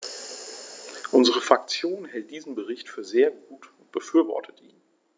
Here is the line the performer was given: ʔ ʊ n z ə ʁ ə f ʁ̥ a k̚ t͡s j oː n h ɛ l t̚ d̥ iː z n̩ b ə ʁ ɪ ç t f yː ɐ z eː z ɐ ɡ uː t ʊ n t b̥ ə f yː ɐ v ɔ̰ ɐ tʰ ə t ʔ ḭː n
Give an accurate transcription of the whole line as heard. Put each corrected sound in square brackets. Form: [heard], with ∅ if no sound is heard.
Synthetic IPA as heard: ʔ ʊ n z ə ʁ ə f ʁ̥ a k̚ t͡s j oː n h ɛ l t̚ d̥ iː z n̩ b ə ʁ ɪ ç t f yː ɐ z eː [∅] ɐ ɡ uː t ʊ n t b̥ ə f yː ɐ v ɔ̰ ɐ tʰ ə t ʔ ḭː n